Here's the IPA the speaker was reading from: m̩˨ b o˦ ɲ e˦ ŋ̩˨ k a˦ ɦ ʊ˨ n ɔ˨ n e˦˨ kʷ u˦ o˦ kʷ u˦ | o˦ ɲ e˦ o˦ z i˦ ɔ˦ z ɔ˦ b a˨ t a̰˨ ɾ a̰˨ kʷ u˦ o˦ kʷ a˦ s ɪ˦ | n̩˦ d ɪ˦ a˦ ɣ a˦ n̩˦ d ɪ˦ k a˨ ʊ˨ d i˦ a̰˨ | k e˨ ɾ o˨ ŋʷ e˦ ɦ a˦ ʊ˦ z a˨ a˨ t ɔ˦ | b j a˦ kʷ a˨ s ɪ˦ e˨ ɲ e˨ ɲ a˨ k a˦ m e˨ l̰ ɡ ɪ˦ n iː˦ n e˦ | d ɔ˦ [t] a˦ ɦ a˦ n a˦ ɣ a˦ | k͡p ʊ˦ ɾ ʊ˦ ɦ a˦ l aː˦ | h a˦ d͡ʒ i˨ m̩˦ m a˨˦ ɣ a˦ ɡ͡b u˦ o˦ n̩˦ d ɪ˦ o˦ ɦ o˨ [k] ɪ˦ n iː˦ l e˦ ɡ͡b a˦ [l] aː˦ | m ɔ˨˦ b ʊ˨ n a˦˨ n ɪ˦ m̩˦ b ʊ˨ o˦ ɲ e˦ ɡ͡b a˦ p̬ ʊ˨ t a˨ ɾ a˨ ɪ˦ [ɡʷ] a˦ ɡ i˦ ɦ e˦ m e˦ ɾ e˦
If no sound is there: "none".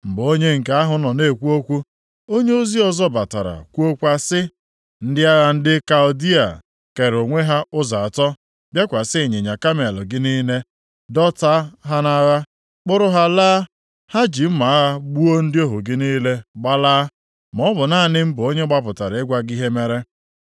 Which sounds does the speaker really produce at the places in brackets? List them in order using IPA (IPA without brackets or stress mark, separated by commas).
t, ɡ, l, ɡʷ